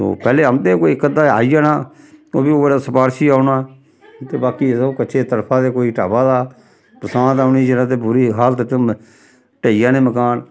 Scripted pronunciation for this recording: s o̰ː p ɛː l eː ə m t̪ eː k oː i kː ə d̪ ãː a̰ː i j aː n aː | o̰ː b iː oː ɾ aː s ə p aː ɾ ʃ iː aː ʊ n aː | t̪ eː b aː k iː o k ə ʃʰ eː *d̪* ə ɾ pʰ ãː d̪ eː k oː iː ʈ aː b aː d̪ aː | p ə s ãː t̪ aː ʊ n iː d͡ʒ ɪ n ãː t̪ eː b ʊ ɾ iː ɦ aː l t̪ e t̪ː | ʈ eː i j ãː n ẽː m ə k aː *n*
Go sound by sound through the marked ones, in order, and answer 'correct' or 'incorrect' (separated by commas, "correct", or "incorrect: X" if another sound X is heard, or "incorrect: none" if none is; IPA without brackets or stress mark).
incorrect: t̪, correct